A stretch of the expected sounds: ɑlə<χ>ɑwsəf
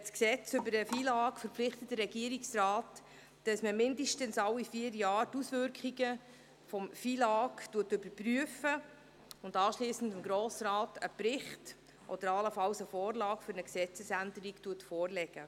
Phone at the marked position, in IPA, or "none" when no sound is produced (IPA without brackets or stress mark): f